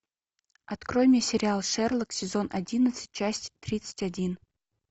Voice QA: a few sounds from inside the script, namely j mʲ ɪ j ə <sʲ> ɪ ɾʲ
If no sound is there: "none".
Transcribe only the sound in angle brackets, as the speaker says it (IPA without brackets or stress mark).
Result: sʲ